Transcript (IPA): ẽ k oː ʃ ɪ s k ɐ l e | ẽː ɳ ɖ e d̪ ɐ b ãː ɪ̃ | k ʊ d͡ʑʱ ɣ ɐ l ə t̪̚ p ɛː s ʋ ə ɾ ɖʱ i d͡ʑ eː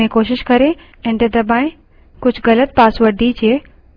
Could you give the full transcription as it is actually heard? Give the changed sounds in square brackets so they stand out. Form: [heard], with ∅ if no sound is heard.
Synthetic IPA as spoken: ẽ k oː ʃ ɪ [ʃ] k ɐ [ɾ] e | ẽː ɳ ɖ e d̪ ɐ b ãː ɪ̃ | k ʊ d͡ʑʱ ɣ ɐ l ə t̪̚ p [aː] s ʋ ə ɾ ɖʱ i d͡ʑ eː